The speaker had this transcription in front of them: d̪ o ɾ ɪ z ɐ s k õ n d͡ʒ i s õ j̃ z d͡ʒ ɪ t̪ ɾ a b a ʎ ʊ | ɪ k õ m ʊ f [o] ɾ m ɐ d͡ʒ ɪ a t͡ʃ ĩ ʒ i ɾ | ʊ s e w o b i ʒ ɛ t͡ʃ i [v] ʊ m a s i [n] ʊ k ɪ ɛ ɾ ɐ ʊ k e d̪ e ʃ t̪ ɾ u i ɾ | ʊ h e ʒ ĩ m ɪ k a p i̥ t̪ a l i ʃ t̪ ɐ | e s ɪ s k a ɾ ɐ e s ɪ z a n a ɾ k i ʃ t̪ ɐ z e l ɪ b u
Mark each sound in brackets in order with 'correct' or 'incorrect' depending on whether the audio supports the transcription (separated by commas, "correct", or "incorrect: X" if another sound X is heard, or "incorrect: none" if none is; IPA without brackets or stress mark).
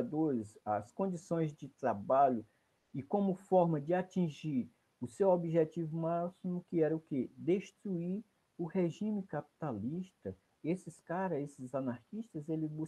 incorrect: ɔ, correct, incorrect: m